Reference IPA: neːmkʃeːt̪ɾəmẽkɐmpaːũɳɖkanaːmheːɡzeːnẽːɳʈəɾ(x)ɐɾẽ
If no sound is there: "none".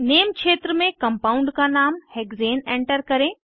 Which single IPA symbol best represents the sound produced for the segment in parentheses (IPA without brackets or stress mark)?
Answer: k